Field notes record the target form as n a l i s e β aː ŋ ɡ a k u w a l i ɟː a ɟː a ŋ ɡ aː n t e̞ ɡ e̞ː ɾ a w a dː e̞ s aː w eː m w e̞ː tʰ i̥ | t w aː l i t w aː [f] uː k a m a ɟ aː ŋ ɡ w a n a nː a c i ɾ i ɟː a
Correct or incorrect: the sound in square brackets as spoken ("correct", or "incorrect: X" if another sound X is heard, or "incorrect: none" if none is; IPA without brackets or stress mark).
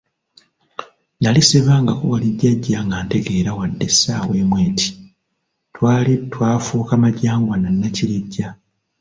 correct